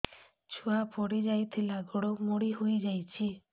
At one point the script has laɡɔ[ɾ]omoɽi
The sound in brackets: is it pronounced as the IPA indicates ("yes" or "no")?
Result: no